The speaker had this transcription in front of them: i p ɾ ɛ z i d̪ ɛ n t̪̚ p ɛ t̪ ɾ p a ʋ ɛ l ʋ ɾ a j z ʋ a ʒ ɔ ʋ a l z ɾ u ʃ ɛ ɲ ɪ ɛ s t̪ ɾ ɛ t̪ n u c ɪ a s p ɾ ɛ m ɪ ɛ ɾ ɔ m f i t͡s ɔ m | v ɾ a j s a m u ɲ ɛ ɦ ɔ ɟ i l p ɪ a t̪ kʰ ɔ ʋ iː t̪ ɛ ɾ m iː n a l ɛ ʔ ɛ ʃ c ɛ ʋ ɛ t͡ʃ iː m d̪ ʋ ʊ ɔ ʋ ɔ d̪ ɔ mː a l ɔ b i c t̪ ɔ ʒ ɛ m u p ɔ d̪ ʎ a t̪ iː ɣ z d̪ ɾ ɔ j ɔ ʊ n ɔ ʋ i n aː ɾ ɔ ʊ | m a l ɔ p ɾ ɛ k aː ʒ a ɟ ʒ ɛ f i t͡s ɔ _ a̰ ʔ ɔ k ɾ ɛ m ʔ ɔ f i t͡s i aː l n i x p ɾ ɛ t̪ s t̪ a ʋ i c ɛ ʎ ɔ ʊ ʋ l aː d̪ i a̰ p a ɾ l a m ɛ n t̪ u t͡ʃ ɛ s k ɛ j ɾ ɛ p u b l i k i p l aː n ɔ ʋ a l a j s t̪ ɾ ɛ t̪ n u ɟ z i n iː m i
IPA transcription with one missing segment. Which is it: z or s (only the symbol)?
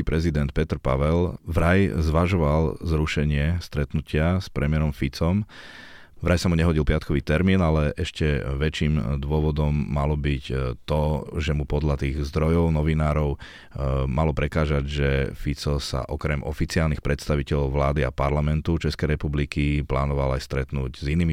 s